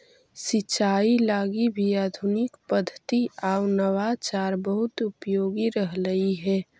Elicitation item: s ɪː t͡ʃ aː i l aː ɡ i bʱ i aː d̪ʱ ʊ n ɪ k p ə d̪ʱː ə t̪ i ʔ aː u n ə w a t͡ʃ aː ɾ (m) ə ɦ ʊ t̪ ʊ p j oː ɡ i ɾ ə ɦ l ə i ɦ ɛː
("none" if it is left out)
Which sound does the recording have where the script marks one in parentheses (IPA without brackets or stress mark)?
b